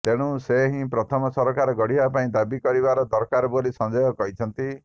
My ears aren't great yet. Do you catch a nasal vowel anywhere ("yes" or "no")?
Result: yes